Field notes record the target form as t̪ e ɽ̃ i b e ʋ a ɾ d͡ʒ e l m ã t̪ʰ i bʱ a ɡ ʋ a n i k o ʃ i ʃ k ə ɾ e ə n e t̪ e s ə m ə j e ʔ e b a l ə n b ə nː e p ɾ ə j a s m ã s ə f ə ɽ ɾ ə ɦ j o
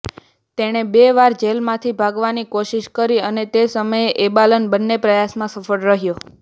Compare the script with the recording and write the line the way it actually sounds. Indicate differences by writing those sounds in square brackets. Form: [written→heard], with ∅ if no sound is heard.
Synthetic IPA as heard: t̪ e ɽ̃ [i→e] b e ʋ a ɾ d͡ʒ e l m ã t̪ʰ i bʱ a ɡ ʋ a n i k o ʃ i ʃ k ə ɾ [e→i] ə n e t̪ e s ə m ə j e ʔ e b a l ə n b ə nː e p ɾ ə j a s m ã s ə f ə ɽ ɾ ə ɦ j o